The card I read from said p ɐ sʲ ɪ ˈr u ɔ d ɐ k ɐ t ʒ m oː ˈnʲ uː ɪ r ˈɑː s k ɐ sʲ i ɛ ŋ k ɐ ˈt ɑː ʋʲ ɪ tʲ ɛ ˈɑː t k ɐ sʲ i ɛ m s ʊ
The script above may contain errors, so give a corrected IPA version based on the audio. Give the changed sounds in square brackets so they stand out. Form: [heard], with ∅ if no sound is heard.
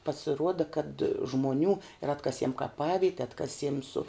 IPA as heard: p ɐ sʲ ɪ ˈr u ɔ d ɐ k ɐ t ʒ m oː ˈnʲ uː ɪ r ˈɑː [t] k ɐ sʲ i ɛ [m] k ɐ [ˈp] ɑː ʋʲ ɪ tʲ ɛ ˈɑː t k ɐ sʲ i ɛ m s ʊ